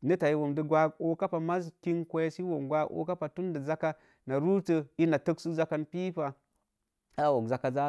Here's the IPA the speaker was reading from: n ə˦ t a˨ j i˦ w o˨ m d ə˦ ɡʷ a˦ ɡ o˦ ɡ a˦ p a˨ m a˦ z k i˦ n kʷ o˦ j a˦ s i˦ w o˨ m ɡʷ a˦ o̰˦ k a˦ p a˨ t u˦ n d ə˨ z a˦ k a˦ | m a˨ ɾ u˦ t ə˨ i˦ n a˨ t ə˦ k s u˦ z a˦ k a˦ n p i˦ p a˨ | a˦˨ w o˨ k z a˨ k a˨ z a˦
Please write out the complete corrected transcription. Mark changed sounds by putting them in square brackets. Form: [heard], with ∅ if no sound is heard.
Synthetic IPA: n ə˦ t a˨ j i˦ w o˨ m d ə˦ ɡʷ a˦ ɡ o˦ [k] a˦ p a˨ m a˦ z k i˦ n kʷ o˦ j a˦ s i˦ w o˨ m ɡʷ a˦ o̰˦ k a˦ p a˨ t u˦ n d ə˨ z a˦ k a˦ | [n] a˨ ɾ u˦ t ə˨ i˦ n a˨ t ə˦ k s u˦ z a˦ k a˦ n p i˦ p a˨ | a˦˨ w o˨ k z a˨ k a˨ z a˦